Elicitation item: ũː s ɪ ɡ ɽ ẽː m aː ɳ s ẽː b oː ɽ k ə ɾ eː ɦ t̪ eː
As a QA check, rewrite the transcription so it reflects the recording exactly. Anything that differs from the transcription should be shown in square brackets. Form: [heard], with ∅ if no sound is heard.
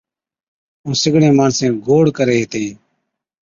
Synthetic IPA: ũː s ɪ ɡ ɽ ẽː m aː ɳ s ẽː [ɡ] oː ɽ k ə ɾ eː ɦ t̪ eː